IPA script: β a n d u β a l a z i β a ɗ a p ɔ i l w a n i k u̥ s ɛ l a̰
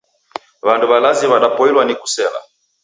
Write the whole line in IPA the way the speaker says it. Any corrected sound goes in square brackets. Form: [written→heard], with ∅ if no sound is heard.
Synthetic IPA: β a n d u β a l a z i β a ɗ a p ɔ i l w a n i k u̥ s ɛ l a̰